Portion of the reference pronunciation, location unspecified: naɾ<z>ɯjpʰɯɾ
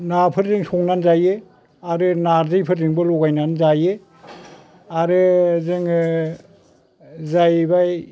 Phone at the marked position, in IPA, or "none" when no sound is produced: z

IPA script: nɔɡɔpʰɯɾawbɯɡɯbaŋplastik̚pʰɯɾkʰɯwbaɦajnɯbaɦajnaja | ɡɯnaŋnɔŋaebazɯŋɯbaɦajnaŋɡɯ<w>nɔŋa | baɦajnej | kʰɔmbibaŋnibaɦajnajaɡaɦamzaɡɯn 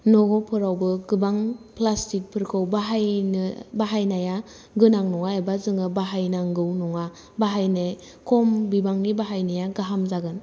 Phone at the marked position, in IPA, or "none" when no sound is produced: w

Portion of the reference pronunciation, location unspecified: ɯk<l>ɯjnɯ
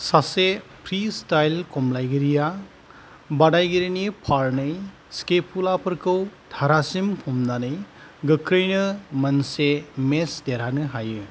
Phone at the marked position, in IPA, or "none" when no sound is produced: ɾ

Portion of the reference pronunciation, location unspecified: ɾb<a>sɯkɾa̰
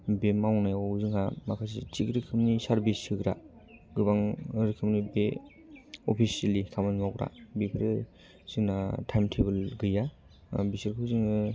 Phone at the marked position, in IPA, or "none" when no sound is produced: i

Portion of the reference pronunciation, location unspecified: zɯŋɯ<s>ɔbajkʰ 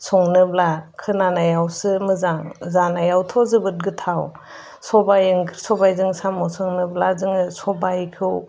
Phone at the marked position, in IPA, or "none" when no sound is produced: s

